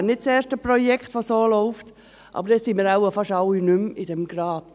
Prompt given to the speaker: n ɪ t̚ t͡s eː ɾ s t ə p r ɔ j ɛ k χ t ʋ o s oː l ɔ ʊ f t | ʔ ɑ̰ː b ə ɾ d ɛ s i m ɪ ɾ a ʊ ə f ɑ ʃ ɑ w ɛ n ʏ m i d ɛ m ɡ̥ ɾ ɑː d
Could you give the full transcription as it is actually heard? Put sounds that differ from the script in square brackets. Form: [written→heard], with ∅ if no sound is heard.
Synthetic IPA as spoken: n ɪ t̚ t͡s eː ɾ [s→ʃ] t ə p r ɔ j ɛ k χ t ʋ o s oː l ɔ ʊ f t | ʔ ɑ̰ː b ə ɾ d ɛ s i m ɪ ɾ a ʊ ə f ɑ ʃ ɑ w [ɛ→i] n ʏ m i d ɛ m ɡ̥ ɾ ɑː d